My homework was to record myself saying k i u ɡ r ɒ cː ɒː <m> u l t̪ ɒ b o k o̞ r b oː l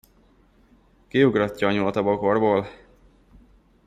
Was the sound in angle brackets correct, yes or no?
no